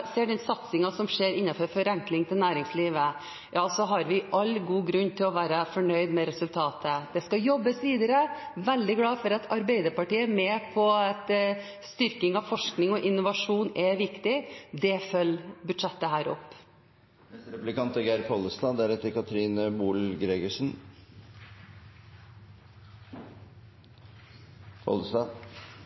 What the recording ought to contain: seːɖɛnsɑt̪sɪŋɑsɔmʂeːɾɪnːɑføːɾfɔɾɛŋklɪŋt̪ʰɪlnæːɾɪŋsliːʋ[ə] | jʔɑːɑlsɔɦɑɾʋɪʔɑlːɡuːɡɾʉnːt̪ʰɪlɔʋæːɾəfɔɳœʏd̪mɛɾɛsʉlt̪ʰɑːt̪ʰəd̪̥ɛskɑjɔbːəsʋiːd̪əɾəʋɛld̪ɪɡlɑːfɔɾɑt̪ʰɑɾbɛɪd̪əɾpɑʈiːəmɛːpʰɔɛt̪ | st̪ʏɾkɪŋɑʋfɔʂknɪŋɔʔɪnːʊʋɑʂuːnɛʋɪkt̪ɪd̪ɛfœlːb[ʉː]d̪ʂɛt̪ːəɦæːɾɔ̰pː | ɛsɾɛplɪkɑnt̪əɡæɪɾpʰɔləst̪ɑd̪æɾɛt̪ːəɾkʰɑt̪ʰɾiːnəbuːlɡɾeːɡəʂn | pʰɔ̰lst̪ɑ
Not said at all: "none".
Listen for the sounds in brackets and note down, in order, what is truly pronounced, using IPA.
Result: ə, ʉ

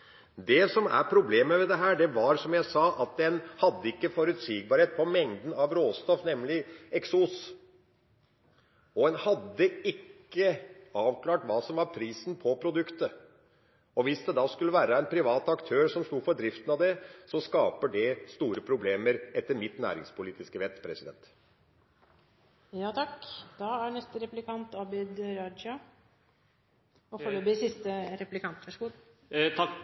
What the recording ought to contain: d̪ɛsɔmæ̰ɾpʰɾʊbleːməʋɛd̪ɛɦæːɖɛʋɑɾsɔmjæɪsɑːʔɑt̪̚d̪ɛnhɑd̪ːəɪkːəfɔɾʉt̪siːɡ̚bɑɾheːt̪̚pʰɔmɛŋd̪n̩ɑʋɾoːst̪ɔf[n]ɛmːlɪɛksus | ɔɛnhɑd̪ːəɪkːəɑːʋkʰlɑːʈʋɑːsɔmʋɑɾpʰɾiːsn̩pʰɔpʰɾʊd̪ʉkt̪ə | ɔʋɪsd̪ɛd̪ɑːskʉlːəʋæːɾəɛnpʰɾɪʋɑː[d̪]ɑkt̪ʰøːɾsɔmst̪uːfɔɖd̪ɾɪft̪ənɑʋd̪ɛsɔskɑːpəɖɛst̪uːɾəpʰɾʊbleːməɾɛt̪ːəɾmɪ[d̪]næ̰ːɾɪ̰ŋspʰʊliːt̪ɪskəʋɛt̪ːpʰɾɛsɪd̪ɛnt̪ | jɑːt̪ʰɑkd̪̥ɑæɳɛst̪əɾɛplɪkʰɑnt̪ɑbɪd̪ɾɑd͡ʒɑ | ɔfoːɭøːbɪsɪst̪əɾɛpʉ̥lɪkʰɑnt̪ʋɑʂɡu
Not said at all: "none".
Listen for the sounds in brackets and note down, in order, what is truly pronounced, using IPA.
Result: n, t̪, t̪

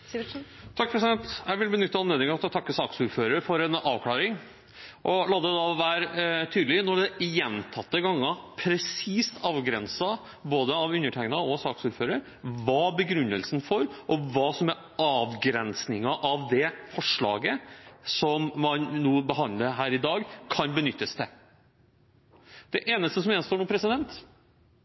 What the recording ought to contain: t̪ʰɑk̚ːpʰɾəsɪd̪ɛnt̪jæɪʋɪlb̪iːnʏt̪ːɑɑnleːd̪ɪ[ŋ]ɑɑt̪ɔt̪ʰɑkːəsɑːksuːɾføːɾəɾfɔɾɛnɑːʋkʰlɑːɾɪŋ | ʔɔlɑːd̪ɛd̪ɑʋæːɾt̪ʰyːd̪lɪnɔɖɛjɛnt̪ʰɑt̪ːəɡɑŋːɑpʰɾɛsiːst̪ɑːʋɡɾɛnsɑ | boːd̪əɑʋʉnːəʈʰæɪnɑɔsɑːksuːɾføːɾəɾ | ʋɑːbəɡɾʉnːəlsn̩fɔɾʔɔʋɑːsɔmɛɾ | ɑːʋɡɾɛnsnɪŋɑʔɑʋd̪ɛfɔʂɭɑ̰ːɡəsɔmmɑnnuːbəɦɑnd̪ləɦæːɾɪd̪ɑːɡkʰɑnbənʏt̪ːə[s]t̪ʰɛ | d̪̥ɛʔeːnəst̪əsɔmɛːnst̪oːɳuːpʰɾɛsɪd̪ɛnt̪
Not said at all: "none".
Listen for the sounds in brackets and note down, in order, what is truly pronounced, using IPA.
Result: ŋ, s

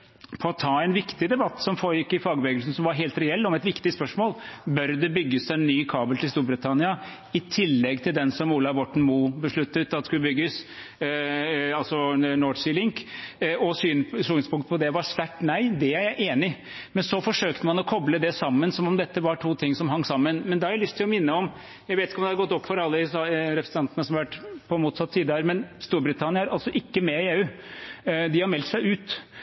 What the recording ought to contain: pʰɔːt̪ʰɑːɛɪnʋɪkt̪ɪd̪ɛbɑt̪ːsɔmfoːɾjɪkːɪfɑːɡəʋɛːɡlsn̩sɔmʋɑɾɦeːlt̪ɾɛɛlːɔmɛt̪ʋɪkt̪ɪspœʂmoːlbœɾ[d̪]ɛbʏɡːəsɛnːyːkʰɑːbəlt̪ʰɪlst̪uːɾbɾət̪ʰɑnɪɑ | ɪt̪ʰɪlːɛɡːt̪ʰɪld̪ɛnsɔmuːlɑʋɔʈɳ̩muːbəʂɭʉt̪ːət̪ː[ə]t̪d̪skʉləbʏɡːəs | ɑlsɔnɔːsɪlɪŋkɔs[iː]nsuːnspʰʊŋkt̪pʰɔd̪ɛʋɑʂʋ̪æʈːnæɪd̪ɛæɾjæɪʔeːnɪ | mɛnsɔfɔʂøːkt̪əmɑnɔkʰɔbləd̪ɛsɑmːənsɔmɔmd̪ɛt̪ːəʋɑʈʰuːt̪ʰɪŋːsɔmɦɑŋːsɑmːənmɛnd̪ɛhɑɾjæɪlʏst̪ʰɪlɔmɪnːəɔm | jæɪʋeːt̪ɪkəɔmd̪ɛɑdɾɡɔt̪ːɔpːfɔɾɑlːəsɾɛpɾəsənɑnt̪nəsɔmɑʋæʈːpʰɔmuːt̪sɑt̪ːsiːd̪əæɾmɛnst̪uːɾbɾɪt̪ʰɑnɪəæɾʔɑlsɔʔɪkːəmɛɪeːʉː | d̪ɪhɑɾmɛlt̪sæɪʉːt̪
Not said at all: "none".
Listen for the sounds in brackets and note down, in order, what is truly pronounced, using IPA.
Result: d̪, ɑ, yː

